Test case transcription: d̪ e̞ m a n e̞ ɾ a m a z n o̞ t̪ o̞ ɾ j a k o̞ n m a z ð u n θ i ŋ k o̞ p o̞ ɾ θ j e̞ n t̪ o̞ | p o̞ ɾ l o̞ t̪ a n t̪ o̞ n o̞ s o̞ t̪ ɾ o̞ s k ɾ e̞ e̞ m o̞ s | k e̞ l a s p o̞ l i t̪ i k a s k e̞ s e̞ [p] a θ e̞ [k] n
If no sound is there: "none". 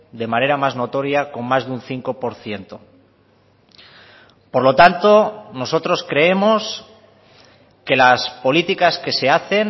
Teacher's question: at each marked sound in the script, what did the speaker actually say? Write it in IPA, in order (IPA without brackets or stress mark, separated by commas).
none, none